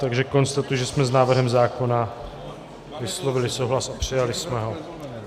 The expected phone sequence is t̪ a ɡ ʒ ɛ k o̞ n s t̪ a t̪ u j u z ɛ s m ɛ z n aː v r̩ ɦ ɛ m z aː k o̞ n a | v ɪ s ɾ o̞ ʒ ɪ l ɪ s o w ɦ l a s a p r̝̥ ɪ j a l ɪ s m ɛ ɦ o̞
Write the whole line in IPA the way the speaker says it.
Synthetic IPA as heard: t̪ a ɡ ʒ ɛ k o̞ n s t̪ a t̪ u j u ʒ ɛ s m ɛ z n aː v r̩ ɦ ɛ m z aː k o̞ n a | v ɪ s l o̞ v ɪ l ɪ s o w ɦ l a s a p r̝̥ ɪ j a l ɪ s m ɛ ɦ o̞